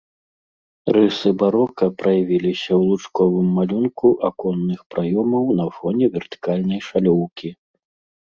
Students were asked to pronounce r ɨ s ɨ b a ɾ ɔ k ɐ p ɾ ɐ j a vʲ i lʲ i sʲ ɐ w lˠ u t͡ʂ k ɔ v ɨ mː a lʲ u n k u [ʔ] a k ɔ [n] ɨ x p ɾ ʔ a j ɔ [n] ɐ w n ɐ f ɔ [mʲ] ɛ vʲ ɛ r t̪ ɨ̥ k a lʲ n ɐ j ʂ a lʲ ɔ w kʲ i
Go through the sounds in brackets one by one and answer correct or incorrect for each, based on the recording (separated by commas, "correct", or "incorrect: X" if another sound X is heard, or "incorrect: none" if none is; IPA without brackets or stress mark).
correct, incorrect: nː, incorrect: m, incorrect: nʲ